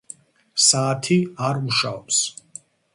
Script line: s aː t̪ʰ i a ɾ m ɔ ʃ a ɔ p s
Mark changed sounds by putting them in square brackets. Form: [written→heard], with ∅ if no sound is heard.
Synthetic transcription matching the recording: s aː t̪ʰ i a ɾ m [ɔ→u] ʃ a ɔ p s